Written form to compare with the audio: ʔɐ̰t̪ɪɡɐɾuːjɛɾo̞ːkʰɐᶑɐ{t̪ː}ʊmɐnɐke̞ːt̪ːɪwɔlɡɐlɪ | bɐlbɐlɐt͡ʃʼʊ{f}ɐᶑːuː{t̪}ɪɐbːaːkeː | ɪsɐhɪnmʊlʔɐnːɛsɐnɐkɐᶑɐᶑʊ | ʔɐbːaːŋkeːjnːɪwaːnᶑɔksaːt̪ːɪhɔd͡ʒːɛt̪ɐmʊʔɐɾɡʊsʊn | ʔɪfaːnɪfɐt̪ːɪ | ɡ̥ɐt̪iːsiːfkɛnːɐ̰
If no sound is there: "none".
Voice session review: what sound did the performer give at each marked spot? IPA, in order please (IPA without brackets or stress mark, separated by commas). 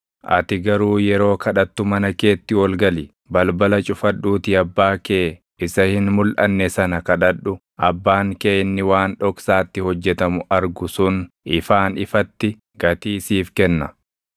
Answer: t̪ː, f, t̪